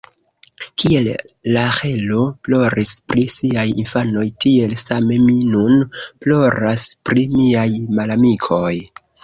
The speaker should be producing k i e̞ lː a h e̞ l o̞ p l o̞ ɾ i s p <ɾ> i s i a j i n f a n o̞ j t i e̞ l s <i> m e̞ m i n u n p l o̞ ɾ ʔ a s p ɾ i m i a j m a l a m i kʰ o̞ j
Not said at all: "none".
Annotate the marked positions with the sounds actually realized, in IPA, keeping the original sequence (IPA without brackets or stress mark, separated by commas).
ɾ, a